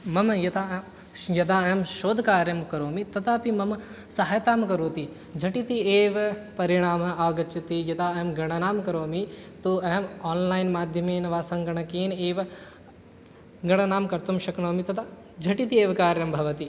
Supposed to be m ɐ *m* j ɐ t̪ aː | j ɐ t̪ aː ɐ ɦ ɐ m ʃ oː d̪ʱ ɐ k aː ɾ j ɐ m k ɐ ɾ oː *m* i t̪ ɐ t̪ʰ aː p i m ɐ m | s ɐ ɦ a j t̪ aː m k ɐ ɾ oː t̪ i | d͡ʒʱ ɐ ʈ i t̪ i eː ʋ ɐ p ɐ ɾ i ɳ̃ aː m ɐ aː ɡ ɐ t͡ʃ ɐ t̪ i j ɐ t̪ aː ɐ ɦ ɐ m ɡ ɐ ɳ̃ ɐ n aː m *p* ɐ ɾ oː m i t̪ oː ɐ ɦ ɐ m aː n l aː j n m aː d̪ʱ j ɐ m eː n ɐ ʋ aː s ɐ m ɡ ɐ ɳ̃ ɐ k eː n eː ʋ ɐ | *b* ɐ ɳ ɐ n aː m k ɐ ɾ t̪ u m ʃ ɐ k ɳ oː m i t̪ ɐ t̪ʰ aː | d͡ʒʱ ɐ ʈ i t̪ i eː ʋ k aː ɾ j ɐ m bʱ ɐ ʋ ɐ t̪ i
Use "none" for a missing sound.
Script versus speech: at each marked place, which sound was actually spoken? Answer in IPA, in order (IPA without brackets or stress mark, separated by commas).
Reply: m, m, k, ɡ